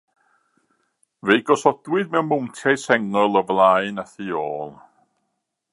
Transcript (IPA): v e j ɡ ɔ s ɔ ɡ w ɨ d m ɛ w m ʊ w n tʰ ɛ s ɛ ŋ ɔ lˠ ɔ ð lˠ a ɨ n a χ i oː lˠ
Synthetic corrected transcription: v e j ɡ ɔ s ɔ d w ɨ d m ɛ w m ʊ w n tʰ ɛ s ɛ ŋ ɔ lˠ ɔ v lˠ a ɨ n a θ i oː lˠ